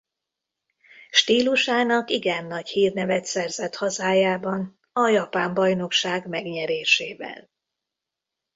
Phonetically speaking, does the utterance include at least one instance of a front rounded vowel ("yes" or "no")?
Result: no